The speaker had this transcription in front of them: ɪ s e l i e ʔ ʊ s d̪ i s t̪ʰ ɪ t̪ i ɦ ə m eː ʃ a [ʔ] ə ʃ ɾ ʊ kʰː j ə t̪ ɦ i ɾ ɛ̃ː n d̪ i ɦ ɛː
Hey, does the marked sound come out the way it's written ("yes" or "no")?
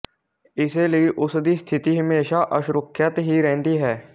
yes